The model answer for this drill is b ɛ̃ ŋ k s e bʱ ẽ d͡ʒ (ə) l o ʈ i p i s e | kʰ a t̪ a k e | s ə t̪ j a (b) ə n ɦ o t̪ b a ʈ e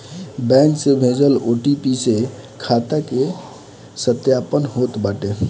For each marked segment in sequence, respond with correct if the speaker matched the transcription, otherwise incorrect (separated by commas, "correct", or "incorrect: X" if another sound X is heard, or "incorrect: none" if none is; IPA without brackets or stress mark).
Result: correct, incorrect: p